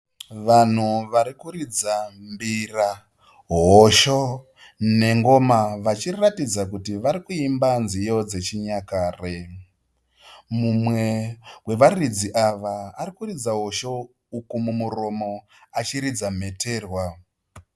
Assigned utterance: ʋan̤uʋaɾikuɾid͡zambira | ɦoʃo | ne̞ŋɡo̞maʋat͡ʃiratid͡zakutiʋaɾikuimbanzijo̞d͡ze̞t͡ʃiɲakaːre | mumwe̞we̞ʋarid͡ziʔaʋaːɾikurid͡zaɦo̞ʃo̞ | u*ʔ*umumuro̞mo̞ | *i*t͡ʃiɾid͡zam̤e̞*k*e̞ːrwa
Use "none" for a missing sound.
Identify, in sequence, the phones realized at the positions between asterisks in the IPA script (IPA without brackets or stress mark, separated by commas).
k, a, t